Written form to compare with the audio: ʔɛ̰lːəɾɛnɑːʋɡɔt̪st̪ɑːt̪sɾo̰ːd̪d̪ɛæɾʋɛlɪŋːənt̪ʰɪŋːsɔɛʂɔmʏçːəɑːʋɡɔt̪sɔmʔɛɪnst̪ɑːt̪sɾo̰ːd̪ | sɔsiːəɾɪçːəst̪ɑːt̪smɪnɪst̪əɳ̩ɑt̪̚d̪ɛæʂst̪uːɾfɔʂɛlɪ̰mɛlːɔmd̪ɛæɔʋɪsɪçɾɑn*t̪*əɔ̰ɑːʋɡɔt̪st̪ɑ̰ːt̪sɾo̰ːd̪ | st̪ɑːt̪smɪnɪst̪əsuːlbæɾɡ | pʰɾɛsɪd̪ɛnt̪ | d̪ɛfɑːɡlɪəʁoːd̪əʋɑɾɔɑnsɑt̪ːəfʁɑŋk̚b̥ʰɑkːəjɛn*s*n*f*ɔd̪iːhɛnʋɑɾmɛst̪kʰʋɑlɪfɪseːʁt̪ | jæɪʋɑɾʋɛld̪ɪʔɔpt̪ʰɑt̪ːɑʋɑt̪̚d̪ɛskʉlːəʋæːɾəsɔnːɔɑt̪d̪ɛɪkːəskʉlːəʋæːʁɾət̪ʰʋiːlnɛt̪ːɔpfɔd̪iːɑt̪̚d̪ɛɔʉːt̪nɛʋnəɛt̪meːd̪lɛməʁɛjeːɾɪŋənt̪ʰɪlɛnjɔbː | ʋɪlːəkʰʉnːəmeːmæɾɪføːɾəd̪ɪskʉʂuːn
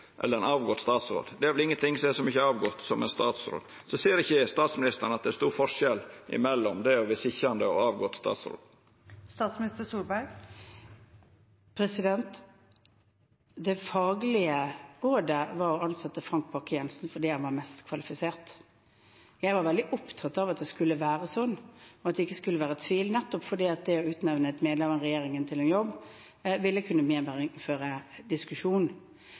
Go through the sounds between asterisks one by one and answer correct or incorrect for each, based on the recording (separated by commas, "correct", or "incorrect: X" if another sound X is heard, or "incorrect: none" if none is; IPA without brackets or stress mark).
incorrect: d̪, correct, correct